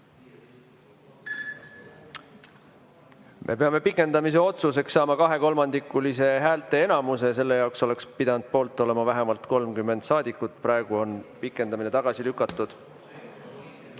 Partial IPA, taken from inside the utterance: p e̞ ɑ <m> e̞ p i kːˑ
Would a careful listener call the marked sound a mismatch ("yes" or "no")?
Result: no